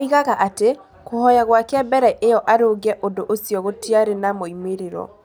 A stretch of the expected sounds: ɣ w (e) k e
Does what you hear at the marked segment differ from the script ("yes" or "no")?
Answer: yes